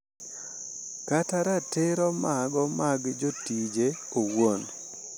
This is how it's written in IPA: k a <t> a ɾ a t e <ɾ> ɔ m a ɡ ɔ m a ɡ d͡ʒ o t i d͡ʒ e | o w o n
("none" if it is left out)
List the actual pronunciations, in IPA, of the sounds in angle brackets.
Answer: t, ɾ

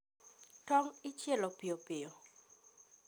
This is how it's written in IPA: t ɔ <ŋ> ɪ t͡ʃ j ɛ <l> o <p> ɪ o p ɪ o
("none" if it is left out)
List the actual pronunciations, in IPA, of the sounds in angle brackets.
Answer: ŋ, l, p

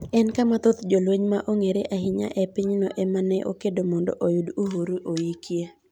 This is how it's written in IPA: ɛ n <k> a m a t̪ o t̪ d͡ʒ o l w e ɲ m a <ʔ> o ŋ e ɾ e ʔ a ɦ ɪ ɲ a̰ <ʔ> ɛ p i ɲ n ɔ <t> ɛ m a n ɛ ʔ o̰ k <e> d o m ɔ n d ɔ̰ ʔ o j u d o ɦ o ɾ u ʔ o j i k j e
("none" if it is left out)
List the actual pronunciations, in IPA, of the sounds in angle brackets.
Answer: k, ʔ, ʔ, ʔ, e

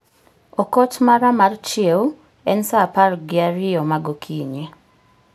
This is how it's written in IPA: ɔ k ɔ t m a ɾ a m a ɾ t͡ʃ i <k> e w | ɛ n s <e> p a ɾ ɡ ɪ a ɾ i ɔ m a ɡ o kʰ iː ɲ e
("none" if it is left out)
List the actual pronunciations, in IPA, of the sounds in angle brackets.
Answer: none, a

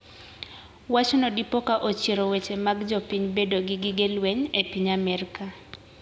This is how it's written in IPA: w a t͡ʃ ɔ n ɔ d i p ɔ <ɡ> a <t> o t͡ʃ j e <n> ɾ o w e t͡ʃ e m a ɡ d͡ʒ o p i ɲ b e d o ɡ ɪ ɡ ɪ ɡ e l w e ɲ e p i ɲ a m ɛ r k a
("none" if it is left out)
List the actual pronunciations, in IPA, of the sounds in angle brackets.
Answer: k, ʔ, none

